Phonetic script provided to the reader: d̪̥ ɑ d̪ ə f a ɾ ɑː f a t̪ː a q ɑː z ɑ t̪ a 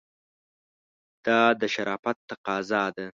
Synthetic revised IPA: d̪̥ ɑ d̪ ə ʃ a ɾ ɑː f a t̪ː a q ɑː z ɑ d̪ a